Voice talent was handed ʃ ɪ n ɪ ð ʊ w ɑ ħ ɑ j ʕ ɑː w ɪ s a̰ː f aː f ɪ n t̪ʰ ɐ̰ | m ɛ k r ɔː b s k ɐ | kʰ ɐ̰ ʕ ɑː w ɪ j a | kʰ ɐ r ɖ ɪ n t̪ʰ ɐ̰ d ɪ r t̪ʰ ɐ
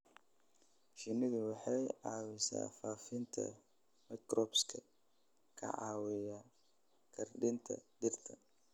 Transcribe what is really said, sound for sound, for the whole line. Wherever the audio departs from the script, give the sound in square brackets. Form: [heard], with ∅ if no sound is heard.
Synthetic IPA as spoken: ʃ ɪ n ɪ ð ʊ w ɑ ħ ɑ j ʕ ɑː w ɪ s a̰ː f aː f ɪ n t̪ʰ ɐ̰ | m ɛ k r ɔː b s [kʰ] ɐ | kʰ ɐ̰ ʕ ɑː w ɪ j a | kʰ ɐ r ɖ ɪ n t̪ʰ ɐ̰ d ɪ r t̪ʰ ɐ